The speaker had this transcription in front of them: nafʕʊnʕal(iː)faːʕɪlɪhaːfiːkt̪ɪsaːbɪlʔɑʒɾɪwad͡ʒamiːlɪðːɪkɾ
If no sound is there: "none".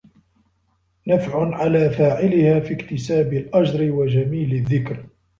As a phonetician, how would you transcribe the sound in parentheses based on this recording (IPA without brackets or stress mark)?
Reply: aː